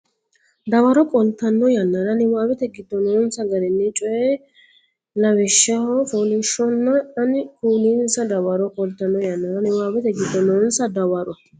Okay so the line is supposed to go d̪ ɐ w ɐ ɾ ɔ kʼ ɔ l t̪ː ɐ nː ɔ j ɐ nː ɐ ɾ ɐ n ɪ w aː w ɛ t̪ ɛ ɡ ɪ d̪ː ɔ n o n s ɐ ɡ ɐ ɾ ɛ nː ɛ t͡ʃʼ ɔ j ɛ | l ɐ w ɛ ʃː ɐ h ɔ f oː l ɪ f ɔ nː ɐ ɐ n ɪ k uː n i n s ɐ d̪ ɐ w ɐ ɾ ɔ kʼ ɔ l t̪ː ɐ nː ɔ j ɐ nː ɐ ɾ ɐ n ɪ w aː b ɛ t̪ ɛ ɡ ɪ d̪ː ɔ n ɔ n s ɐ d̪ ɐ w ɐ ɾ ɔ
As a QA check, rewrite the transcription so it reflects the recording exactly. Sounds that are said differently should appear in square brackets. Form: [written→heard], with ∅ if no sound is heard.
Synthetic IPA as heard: d̪ ɐ w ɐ ɾ ɔ kʼ ɔ l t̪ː ɐ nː ɔ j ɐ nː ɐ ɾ ɐ n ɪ w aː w ɛ t̪ ɛ ɡ ɪ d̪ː ɔ n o n s ɐ ɡ ɐ ɾ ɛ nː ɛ t͡ʃʼ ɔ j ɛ | l ɐ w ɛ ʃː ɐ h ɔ f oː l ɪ [f→ʃ] ɔ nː ɐ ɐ n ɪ k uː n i n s ɐ d̪ ɐ w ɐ ɾ ɔ kʼ ɔ l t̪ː ɐ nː ɔ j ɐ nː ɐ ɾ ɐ n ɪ w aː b ɛ t̪ ɛ ɡ ɪ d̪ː ɔ n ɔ n s ɐ d̪ ɐ w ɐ ɾ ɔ